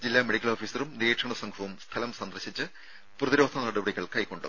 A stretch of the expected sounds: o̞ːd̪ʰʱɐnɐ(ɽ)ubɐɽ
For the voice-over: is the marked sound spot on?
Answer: yes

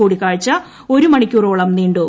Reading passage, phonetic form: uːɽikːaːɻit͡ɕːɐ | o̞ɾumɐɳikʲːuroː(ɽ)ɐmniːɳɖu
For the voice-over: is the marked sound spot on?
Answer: no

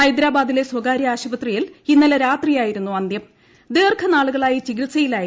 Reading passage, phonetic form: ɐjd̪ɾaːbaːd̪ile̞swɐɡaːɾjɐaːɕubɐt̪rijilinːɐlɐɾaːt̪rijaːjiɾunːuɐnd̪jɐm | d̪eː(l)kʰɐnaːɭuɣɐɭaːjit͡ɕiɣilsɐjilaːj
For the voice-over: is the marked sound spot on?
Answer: no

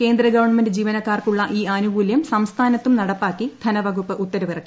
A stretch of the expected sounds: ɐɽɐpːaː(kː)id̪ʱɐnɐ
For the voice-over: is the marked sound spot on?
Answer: yes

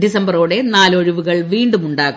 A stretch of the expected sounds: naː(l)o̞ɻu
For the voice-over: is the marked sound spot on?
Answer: yes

